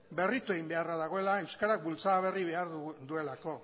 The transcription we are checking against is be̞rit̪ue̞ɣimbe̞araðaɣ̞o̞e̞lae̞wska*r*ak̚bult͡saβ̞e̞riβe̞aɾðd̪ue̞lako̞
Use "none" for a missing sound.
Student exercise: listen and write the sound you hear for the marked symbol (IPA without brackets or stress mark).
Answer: ɾ